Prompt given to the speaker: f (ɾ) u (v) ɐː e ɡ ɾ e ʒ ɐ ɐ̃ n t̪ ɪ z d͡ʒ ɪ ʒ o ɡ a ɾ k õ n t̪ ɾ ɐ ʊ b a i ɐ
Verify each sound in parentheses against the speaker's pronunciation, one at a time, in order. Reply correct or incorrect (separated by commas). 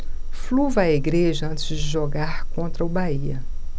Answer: incorrect, correct